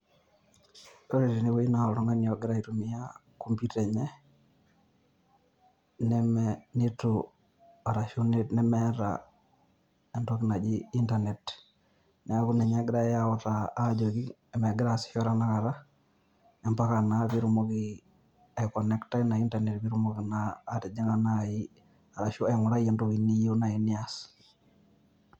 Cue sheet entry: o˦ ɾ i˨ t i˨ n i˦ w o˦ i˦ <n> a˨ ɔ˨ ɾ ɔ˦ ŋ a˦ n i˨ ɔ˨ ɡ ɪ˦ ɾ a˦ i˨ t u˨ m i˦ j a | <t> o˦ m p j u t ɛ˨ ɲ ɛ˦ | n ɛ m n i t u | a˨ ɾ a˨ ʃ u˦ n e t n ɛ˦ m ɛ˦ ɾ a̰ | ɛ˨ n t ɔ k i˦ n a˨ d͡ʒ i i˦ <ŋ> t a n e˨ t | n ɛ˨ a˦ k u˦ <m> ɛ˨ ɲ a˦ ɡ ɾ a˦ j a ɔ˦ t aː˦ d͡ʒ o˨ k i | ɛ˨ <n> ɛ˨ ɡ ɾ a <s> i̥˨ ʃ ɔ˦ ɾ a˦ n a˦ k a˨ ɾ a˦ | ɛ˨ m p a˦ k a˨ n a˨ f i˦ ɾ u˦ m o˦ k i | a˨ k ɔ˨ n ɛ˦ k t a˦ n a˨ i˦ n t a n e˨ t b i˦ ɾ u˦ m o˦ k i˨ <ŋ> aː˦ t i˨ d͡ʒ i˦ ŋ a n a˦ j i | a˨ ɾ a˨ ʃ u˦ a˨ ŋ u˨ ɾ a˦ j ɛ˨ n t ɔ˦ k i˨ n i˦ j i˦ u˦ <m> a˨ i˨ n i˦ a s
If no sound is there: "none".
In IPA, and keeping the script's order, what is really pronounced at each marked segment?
n, k, n, n, m, s, n, n

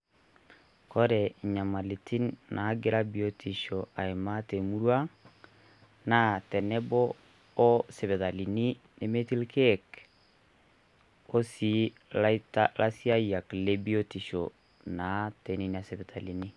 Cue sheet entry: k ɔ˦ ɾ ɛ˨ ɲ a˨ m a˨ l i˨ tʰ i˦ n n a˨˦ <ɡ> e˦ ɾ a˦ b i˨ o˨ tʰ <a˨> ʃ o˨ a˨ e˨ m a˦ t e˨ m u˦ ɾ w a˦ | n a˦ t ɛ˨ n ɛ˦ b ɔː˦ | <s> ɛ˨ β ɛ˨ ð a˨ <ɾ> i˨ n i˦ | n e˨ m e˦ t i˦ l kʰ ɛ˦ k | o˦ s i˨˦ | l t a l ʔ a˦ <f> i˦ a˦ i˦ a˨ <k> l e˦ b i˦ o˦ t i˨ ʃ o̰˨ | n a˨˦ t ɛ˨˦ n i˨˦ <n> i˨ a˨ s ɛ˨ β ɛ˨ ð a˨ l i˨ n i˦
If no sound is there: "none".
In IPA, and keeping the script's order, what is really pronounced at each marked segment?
ɡ, i˨, s, l, s, k, n

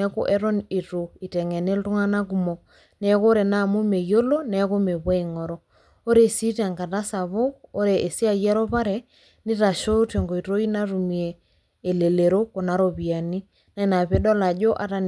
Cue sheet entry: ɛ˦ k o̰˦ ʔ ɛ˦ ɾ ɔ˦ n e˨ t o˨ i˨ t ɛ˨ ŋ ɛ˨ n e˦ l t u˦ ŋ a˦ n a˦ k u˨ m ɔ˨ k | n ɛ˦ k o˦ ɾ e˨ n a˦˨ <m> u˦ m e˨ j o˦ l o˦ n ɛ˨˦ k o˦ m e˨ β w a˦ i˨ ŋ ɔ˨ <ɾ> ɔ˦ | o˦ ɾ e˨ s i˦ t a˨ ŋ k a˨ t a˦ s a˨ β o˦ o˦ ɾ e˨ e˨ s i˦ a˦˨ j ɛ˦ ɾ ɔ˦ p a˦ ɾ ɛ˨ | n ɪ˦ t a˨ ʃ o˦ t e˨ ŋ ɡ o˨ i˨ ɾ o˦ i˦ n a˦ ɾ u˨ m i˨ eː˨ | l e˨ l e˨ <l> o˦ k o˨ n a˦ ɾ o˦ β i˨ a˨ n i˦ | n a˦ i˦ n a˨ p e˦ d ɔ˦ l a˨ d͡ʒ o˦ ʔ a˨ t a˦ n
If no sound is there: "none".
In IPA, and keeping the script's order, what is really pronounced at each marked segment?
m, ɾ, ɾ

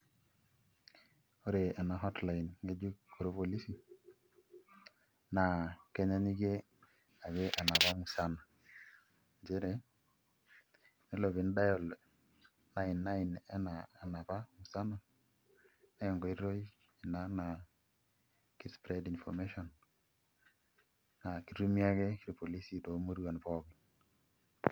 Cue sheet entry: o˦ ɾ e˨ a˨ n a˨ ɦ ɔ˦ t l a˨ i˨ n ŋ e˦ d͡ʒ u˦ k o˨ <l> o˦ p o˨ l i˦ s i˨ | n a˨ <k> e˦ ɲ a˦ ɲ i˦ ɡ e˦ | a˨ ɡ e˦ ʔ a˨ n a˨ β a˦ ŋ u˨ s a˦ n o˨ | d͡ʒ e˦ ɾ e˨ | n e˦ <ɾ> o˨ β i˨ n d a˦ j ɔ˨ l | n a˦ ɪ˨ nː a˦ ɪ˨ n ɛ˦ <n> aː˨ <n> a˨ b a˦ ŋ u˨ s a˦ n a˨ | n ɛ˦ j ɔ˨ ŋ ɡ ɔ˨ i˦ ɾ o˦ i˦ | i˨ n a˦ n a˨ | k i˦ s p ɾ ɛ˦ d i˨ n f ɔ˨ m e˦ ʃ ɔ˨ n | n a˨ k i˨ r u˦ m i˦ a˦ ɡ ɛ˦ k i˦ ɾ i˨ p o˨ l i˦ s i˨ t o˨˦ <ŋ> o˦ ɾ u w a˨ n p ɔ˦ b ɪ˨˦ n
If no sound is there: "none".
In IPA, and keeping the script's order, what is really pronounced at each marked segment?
ɾ, k, l, n, n, m

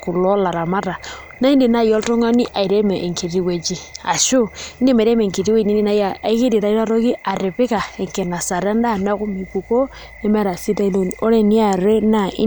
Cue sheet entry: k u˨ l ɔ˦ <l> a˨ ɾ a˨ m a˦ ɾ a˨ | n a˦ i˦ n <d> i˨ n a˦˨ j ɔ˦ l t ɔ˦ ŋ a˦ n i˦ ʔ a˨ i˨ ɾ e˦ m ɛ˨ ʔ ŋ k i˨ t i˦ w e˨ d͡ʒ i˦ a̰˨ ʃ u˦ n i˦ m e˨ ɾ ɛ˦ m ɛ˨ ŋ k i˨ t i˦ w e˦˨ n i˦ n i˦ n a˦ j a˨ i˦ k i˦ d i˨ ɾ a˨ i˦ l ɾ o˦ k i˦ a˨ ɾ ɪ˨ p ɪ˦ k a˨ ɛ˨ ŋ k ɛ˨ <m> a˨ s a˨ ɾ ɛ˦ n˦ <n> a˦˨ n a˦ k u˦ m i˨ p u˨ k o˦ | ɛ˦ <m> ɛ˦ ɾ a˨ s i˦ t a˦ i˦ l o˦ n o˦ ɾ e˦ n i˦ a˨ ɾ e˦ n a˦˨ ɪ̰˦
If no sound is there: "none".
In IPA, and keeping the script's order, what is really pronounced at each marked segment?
l, d, n, d, m

